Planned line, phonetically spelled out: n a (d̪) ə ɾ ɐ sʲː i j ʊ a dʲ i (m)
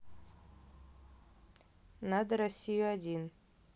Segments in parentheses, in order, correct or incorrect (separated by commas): correct, incorrect